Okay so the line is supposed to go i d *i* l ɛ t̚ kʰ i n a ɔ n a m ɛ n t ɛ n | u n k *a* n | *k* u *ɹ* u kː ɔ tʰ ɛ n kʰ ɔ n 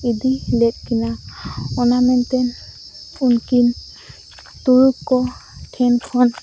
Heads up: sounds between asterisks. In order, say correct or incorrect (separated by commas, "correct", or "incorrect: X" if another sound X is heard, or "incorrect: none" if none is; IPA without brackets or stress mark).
correct, incorrect: i, incorrect: t, correct